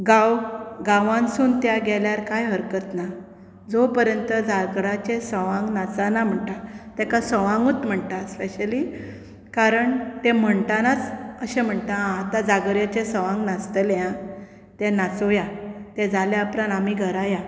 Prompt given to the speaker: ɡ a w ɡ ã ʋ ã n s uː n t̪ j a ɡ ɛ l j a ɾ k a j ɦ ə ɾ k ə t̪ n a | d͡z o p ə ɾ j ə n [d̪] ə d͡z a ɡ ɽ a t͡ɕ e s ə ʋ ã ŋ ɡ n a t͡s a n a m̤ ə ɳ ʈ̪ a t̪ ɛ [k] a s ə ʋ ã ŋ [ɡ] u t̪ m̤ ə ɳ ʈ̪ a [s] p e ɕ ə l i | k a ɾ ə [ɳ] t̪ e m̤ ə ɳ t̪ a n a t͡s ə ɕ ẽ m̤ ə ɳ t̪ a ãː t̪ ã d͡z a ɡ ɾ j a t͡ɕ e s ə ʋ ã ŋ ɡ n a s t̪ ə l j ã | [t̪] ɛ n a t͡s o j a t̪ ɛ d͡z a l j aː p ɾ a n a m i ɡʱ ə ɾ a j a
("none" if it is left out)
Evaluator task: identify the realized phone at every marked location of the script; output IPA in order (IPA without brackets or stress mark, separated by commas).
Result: t̪, k, ɡ, s, ɳ, t̪